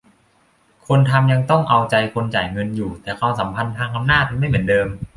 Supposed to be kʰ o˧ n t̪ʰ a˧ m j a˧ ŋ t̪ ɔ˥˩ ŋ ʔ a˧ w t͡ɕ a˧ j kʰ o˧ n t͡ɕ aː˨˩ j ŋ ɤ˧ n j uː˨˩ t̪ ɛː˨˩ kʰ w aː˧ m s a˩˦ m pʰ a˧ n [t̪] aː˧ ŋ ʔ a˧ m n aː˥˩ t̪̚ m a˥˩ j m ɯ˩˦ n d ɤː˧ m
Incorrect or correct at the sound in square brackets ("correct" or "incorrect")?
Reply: incorrect